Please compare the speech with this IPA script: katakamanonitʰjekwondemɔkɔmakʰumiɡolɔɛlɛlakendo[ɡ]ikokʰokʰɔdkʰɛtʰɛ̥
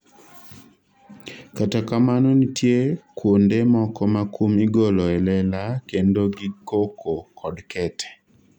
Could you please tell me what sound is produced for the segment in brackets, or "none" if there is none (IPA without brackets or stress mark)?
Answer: ɡ